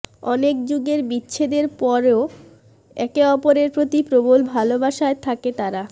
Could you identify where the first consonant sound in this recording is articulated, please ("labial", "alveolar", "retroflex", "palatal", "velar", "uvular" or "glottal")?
alveolar